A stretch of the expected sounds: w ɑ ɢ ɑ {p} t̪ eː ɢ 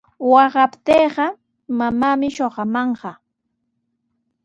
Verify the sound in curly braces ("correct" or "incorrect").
correct